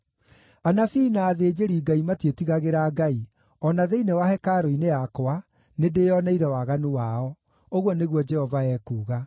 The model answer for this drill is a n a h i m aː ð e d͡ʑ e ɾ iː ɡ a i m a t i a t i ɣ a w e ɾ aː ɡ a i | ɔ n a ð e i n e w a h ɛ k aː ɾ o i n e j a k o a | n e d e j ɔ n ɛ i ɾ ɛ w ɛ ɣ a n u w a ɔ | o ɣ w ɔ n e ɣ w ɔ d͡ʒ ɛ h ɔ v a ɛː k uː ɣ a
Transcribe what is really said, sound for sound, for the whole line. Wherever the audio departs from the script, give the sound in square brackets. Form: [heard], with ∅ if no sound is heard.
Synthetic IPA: a n a [f] i [n] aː ð e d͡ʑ e ɾ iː ɡ a i m a t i [e] t i ɣ a [ɣ] e ɾ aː ɡ a i | ɔ n a ð e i n e w a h ɛ k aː ɾ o i n e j a k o a | n e d e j ɔ n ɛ i ɾ ɛ w [a] ɣ a n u w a ɔ | o ɣ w ɔ n e ɣ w ɔ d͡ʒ ɛ h ɔ v a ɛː k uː ɣ a